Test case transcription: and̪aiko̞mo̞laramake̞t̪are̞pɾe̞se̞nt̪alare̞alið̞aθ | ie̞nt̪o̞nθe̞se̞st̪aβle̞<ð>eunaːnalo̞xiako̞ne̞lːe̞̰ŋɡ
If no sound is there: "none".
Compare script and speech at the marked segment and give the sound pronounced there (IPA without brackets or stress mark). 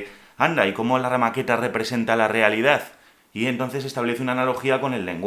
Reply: θ